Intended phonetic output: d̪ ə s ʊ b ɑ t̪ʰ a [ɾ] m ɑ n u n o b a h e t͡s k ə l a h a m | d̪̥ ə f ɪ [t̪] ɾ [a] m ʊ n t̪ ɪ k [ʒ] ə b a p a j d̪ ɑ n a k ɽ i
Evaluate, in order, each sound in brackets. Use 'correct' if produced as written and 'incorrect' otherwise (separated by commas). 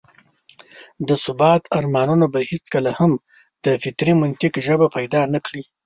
correct, correct, incorrect, correct